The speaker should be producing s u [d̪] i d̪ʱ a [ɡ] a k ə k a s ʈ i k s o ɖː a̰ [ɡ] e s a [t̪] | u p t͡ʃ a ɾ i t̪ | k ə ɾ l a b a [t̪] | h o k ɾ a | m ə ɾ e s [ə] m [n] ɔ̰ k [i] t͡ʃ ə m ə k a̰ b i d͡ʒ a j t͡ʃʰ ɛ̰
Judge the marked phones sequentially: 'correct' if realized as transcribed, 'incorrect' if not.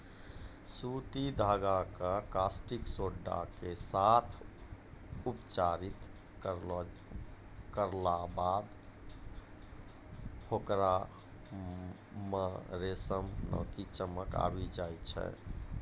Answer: incorrect: t̪, correct, incorrect: k, incorrect: t̪ʰ, incorrect: d̪, correct, correct, correct

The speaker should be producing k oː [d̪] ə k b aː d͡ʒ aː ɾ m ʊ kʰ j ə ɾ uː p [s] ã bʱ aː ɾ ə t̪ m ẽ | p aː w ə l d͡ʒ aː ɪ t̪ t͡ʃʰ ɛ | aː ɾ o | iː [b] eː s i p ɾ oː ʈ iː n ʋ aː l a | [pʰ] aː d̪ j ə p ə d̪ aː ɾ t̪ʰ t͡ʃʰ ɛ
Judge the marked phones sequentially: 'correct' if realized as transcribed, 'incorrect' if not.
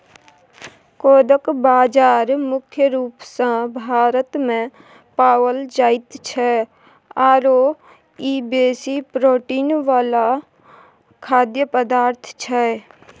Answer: correct, correct, correct, incorrect: kʰ

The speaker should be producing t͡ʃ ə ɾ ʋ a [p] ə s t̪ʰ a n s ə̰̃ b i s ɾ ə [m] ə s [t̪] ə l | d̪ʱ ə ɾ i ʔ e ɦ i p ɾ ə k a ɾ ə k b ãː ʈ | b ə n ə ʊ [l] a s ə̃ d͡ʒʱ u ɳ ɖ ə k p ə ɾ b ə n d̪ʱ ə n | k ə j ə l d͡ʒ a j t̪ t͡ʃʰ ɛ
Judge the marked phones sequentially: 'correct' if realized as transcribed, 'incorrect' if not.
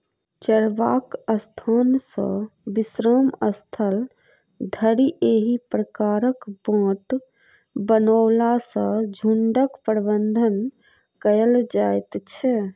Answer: incorrect: k, correct, incorrect: t̪ʰ, correct

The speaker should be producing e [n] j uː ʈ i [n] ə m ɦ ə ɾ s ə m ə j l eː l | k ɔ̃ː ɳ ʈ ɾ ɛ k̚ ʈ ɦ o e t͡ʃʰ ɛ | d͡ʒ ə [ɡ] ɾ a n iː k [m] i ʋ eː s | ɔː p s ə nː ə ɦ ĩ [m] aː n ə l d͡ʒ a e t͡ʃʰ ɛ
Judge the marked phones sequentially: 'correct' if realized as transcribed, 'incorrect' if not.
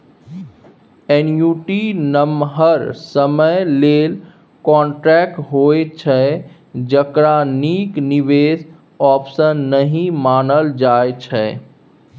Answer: correct, correct, incorrect: k, incorrect: n, correct

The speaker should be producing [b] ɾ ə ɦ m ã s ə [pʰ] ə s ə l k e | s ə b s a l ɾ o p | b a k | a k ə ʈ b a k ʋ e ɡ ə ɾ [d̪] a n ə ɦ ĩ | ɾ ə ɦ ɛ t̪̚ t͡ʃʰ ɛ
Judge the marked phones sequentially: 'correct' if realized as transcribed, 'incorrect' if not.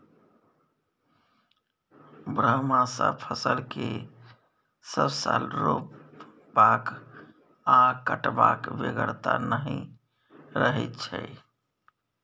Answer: correct, correct, incorrect: t̪

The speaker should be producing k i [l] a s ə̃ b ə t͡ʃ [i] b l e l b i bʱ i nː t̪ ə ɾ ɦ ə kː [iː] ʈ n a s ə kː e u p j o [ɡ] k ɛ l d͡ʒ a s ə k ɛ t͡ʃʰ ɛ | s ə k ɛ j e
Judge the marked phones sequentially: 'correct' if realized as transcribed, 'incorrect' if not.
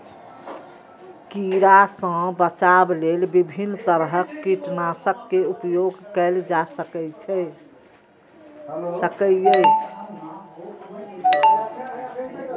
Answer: incorrect: ɾ, incorrect: a, incorrect: i, correct

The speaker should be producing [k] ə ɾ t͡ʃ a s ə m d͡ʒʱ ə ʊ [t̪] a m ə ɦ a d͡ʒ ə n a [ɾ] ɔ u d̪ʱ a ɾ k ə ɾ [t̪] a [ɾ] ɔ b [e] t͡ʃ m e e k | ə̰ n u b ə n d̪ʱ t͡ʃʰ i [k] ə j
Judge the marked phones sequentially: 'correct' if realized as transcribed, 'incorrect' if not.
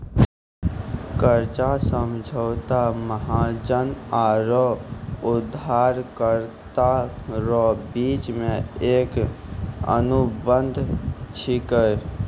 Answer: correct, correct, correct, correct, correct, incorrect: i, correct

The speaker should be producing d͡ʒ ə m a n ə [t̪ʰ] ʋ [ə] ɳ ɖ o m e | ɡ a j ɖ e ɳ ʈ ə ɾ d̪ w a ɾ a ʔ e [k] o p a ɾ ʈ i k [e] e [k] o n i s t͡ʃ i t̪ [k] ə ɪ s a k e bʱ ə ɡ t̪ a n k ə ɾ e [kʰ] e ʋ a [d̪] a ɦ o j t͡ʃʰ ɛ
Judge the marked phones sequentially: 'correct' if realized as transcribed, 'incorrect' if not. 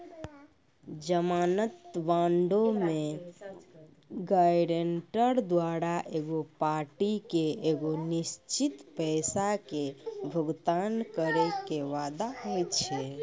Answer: incorrect: t̪, incorrect: a, incorrect: ɡ, correct, incorrect: ɡ, incorrect: p, incorrect: k, correct

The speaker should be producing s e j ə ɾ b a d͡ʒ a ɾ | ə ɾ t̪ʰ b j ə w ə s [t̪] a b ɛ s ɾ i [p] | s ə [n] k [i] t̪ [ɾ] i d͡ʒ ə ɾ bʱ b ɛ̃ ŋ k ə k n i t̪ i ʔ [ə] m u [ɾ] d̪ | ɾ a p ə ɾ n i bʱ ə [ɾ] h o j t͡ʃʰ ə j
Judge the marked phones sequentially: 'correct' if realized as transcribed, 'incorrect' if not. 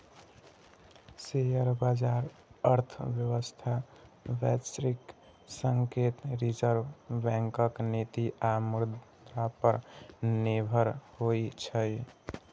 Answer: incorrect: t̪ʰ, incorrect: k, incorrect: ŋ, incorrect: e, correct, incorrect: a, correct, correct

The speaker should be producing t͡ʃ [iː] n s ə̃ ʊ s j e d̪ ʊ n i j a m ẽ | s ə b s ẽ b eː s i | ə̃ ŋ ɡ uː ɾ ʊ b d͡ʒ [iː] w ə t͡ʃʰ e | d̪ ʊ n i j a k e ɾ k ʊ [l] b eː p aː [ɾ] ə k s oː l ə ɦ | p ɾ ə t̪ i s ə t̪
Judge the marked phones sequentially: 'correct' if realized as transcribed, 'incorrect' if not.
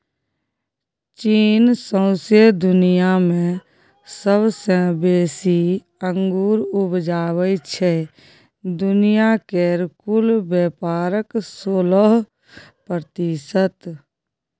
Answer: correct, incorrect: aː, correct, correct

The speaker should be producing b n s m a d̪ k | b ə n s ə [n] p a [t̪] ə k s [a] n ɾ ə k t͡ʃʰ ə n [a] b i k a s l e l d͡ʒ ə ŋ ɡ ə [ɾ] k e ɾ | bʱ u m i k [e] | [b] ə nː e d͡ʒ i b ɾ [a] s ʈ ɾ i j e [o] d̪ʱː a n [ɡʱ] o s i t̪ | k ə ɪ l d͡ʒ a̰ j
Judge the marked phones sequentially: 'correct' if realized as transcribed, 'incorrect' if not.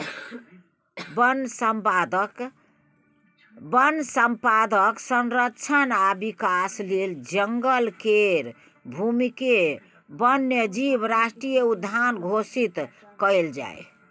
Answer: incorrect: m, incorrect: d̪, incorrect: ə, correct, incorrect: l, correct, correct, correct, incorrect: u, correct

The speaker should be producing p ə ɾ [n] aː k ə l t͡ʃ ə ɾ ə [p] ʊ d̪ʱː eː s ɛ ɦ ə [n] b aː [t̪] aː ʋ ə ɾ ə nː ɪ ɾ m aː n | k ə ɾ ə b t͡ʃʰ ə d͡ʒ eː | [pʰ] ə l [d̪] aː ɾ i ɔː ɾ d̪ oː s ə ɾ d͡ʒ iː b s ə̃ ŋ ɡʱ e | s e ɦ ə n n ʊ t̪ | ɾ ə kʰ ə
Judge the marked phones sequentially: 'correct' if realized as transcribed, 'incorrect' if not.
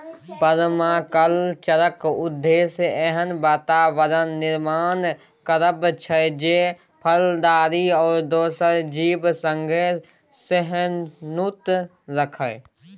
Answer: incorrect: m, incorrect: k, correct, correct, correct, correct

